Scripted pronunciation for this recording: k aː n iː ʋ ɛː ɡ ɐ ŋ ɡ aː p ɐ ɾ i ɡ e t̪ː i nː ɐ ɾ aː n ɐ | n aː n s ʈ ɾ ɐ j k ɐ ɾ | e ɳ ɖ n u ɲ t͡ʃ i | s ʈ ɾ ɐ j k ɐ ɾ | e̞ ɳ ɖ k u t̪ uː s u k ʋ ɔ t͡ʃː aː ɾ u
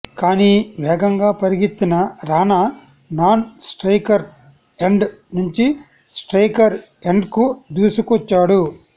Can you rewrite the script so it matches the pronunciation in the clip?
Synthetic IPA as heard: k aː n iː ʋ ɛː ɡ ɐ ŋ ɡ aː p ɐ ɾ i ɡ i t̪ː i n ɐ ɾ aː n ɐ | n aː n s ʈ ɾ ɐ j k ɐ ɾ | e ɳ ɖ n u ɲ t͡ʃ i | s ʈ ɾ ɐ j k ɐ ɾ | e̞ ɳ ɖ k u d̪ uː s u k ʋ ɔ t͡ʃː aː ɽ u